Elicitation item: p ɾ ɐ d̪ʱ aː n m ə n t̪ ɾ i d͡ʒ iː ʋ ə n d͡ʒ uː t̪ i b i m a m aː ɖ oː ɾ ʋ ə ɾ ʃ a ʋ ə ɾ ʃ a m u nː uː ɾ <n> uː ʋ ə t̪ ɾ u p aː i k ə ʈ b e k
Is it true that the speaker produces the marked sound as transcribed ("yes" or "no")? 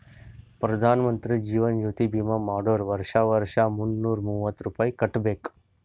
no